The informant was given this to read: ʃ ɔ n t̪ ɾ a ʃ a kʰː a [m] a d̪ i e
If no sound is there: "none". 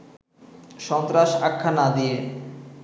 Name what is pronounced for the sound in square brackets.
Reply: n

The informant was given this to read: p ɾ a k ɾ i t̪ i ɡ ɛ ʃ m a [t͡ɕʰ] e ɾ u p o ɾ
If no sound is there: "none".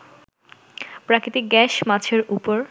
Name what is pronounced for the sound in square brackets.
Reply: t͡ɕʰ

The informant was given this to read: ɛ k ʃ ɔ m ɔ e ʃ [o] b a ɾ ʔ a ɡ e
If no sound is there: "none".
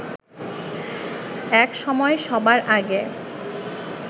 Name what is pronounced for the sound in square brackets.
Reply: ɔ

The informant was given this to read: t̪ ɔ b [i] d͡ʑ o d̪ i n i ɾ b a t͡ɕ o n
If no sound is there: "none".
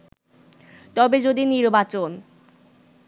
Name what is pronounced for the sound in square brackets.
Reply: e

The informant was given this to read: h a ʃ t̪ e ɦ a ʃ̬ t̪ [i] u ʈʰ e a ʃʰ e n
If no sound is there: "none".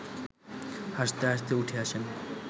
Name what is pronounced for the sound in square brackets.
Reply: e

